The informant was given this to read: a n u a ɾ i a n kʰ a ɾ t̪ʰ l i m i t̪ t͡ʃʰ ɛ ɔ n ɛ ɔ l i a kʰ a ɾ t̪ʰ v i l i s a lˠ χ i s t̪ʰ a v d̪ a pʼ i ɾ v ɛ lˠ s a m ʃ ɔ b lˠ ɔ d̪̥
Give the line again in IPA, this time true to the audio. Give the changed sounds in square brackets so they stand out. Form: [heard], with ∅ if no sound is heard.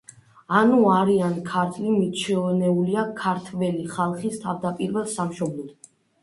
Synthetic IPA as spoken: a n u a ɾ i a n kʰ a ɾ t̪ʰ l i m i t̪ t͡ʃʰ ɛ ɔ n ɛ [u] l i a kʰ a ɾ t̪ʰ v [ɛ] l i [χ] a lˠ χ i s t̪ʰ a v d̪ a pʼ i ɾ v ɛ lˠ s a m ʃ ɔ b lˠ ɔ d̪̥